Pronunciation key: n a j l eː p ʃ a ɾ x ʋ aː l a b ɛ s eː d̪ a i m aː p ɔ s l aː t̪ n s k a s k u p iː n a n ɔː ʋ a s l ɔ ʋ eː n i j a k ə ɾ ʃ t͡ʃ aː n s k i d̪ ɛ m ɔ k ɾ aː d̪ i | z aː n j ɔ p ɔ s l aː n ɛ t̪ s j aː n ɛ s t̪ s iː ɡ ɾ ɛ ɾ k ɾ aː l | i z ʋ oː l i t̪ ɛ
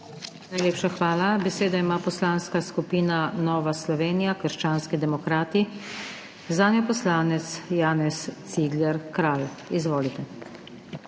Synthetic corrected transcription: n a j l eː p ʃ a x ʋ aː l a b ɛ s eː d̪ a i m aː p ɔ s l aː n s k a s k u p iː n a n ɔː ʋ a s l ɔ ʋ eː n i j a k ə ɾ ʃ t͡ʃ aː n s k i d̪ ɛ m ɔ k ɾ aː t̪ i | z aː n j ɔ p ɔ s l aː n ɛ t̪ s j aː n ɛ s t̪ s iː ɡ l ɛ ɾ k ɾ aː l | i z ʋ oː l i t̪ ɛ

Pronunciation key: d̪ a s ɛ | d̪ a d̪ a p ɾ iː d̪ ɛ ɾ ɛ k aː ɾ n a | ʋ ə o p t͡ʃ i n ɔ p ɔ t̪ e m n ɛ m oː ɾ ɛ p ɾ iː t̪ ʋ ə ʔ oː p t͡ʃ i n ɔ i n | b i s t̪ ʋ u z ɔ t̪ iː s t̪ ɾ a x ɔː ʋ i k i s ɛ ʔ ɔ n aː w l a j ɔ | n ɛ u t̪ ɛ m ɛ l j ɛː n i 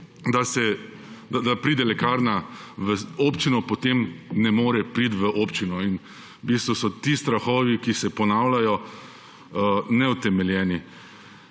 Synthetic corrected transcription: d̪ a s ɛ | d̪ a d̪ a p ɾ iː d̪ ɛ l ɛ k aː ɾ n a | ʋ ə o p t͡ʃ i n ɔ p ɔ t̪ e m n ɛ m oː ɾ ɛ p ɾ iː t̪ ʋ ə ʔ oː p t͡ʃ i n ɔ i n | b i s t̪ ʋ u s ɔ t̪ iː s t̪ ɾ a x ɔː ʋ i k i s ɛ p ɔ n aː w l a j ɔ | n ɛ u t̪ ɛ m ɛ l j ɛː n i

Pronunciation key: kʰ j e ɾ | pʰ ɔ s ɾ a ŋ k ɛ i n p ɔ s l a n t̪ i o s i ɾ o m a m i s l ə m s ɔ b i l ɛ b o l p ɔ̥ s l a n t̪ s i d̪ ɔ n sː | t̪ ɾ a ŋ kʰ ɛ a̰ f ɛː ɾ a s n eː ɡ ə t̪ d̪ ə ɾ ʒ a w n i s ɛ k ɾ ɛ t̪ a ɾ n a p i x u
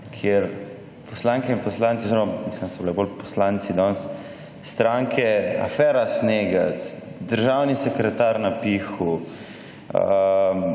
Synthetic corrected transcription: kʰ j e ɾ | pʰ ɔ s l a ŋ k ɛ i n p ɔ s l a n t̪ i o z i ɾ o m a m i s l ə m s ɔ b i l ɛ b o l p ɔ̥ s l a n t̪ s i d̪ ɔ n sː | t̪ ɾ a ŋ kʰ ɛ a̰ f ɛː ɾ a s n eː ɡ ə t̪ d̪ ə ɾ ʒ a w n i s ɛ k ɾ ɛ t̪ a ɾ n a p i x u

